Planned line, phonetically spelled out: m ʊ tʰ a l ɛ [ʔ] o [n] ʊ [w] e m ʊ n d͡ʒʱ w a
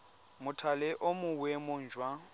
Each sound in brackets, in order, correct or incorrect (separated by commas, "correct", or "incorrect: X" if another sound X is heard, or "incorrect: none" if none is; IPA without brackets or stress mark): correct, incorrect: m, correct